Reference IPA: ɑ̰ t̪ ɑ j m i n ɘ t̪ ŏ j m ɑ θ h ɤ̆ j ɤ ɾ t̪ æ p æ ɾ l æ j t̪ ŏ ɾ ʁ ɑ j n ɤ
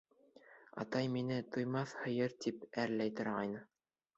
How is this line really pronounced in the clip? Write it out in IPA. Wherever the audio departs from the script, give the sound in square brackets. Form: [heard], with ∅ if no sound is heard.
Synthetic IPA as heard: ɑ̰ t̪ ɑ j m i n ɘ t̪ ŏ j m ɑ θ h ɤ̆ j ɤ ɾ t̪ [i] p æ ɾ l æ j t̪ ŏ ɾ ʁ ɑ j n ɤ